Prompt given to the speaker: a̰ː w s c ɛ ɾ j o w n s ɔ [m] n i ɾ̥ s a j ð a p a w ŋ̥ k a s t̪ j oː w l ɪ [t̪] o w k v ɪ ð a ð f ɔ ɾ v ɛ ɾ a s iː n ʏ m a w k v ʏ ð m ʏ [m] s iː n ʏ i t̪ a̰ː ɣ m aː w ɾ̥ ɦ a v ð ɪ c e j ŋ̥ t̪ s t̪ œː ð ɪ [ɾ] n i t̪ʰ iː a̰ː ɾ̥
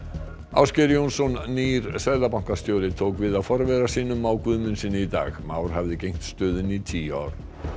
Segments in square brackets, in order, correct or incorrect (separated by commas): incorrect, incorrect, incorrect, incorrect